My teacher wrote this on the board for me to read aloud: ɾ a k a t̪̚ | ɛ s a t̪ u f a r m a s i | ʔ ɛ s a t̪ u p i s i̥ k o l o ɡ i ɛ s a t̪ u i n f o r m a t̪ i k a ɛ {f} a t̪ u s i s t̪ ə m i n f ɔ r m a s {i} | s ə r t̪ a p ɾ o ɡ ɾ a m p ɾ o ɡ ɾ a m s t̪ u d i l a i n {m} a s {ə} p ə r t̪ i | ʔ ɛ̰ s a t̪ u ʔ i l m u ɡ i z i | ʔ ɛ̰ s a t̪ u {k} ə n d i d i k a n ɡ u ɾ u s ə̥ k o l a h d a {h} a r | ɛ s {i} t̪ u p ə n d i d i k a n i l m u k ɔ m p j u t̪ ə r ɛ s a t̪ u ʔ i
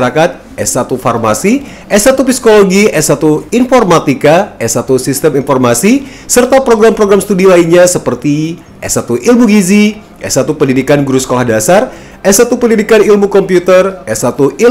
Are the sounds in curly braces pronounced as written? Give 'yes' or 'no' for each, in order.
no, yes, no, yes, no, no, no

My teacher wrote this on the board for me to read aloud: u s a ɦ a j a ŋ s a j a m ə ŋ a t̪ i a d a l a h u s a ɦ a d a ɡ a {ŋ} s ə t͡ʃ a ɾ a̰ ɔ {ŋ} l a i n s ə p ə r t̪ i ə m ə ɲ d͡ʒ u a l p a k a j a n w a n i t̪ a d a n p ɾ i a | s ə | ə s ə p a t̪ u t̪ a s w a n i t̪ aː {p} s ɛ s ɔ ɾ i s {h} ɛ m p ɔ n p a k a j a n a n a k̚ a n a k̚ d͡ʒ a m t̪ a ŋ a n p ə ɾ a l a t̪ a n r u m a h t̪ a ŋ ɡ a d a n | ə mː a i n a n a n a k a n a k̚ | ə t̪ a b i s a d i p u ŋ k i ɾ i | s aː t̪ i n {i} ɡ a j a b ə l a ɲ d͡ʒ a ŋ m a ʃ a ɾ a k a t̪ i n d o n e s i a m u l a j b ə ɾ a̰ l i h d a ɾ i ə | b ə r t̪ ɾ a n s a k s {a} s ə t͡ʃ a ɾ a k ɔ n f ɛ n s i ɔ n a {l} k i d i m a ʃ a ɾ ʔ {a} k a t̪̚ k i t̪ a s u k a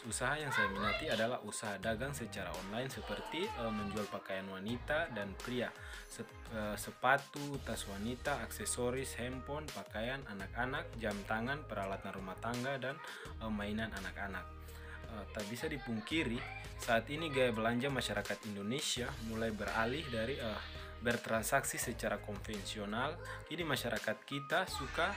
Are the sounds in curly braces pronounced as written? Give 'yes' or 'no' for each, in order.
yes, no, no, yes, yes, no, yes, yes

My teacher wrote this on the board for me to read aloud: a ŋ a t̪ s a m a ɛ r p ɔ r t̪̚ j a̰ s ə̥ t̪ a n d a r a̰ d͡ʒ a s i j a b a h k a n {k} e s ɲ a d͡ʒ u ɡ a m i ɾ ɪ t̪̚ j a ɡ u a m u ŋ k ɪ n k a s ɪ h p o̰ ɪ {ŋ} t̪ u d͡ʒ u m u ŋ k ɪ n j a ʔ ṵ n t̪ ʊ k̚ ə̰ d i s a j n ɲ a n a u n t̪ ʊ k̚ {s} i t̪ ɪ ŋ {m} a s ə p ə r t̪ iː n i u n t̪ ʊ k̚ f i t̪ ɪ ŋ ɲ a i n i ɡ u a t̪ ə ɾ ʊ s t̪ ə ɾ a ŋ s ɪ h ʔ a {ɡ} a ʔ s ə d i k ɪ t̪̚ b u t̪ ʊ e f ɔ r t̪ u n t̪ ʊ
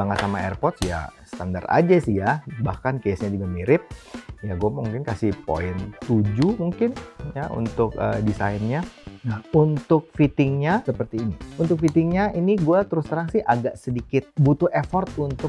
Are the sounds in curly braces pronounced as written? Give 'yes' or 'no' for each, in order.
yes, no, no, no, yes

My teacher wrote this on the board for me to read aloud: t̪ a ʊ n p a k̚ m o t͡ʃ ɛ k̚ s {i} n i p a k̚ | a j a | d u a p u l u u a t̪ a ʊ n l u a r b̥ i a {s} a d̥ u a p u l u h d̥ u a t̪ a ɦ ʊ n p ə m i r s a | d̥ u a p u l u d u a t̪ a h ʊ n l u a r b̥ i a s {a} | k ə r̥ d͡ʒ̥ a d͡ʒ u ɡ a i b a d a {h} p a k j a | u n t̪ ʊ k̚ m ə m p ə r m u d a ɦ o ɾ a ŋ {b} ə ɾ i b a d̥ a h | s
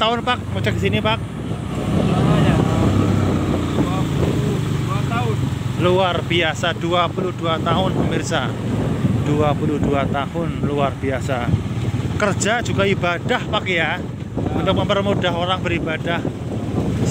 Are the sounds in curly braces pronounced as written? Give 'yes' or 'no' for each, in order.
yes, yes, yes, yes, yes

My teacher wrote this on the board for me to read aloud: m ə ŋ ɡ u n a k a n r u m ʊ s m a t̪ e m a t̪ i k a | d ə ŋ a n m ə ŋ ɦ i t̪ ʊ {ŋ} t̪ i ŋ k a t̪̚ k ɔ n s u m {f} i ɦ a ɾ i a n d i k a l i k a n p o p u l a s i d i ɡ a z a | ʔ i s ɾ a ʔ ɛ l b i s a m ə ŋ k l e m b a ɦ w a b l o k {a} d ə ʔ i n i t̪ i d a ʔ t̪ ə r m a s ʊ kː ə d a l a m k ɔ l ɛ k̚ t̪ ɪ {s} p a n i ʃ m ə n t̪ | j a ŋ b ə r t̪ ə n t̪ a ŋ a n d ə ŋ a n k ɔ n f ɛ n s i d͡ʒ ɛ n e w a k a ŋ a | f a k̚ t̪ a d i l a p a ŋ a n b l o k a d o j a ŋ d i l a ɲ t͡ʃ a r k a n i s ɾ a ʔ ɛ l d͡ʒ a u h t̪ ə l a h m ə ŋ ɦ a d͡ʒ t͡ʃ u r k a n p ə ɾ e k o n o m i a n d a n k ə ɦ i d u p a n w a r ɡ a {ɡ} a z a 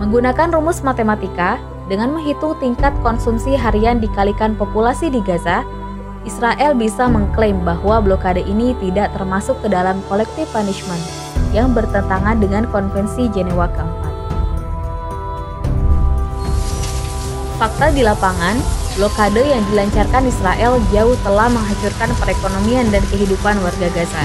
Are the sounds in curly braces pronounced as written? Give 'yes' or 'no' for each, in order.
yes, no, yes, no, yes

